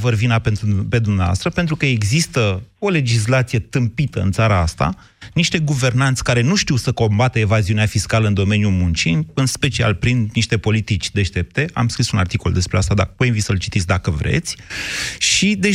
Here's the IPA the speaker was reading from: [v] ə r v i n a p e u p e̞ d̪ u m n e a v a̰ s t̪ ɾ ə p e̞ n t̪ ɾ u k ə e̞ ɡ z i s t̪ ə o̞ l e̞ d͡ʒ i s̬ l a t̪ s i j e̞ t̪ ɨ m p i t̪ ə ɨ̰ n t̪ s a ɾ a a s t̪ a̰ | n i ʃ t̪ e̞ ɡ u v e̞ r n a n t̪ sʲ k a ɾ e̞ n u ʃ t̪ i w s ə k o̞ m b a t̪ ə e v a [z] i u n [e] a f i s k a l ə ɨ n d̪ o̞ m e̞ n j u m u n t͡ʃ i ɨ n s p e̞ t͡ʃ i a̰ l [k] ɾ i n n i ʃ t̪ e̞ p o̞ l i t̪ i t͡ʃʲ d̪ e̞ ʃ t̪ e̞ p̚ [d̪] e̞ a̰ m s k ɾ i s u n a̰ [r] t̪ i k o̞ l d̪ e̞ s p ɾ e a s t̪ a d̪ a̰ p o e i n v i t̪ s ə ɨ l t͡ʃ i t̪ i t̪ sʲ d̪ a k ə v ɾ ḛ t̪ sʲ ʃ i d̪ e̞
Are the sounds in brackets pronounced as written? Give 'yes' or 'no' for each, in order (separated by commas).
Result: yes, yes, yes, no, no, yes